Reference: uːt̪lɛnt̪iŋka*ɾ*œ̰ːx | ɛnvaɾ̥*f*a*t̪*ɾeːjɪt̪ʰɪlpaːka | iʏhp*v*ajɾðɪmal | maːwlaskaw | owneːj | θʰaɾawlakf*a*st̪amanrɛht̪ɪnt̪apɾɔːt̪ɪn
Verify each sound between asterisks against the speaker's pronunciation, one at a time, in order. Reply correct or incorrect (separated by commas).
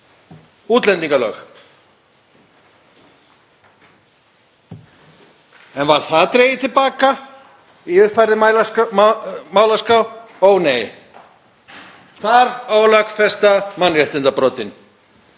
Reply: incorrect, incorrect, correct, incorrect, incorrect